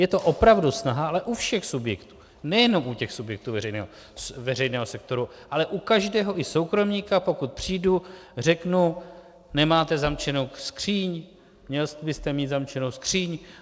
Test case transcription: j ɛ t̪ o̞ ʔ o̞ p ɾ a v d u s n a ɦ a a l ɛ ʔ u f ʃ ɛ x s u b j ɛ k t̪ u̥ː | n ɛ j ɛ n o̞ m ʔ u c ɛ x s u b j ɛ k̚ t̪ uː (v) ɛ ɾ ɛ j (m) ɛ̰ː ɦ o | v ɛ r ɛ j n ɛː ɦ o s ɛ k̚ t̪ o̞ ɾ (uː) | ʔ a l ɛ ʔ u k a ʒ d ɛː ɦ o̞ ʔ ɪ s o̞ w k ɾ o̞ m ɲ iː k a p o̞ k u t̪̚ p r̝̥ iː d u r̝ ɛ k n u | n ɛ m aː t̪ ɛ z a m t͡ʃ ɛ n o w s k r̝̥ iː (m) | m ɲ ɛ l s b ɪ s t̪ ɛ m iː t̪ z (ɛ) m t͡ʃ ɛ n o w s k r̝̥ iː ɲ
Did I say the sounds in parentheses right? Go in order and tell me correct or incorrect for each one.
correct, incorrect: n, incorrect: u, incorrect: ɲ, incorrect: a

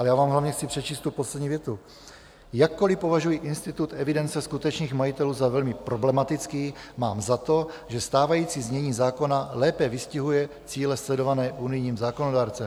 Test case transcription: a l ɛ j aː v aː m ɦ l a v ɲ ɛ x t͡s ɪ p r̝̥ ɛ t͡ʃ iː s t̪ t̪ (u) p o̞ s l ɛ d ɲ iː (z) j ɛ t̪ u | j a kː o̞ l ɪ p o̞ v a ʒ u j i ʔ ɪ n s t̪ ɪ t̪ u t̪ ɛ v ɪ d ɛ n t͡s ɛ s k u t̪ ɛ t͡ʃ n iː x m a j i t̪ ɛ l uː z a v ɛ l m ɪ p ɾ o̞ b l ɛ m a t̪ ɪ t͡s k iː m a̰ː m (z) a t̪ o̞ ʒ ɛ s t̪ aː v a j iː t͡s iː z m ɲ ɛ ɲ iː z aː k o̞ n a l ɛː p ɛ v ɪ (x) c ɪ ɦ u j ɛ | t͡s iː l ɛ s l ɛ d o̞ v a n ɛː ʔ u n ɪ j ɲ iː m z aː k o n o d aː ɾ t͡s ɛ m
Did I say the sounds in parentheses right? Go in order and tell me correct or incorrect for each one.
correct, incorrect: v, correct, incorrect: s

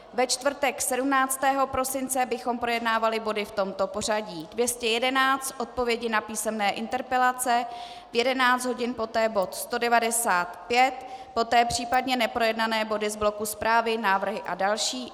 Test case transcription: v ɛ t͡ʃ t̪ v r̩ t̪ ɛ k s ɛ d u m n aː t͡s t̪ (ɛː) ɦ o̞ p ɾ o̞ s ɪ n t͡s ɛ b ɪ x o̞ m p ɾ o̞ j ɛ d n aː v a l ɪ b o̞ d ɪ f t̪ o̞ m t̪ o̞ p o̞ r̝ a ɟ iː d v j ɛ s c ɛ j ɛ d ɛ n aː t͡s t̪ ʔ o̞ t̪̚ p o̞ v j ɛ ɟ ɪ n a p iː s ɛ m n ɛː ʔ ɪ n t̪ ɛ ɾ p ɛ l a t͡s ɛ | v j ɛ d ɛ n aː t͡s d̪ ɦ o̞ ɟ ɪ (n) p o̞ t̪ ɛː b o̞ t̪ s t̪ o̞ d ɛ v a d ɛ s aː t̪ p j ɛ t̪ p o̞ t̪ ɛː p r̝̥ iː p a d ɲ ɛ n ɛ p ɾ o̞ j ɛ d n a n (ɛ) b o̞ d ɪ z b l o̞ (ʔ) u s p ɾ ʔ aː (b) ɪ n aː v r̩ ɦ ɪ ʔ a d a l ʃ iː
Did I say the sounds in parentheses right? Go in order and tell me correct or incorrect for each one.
correct, correct, incorrect: ɛː, incorrect: k, incorrect: v

